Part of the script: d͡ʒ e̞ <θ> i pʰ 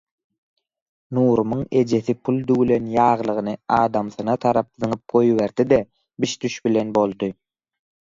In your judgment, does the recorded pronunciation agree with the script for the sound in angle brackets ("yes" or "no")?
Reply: yes